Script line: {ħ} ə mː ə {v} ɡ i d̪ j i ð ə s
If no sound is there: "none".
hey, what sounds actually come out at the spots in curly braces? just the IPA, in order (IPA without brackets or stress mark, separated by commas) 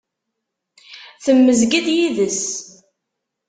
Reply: θ, z